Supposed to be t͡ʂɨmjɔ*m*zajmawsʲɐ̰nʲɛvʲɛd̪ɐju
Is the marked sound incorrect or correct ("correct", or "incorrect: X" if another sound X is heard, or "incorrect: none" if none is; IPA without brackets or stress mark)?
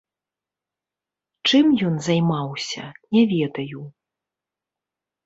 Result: incorrect: n